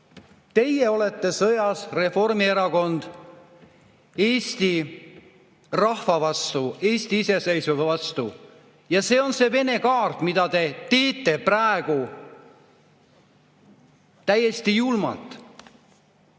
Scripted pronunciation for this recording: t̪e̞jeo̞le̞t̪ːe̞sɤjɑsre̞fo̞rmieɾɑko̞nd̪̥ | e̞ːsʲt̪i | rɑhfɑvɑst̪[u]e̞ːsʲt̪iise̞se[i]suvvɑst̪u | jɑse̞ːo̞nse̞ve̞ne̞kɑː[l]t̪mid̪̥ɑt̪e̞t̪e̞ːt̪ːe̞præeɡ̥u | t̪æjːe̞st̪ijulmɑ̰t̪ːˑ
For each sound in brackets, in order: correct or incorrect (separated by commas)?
correct, incorrect, incorrect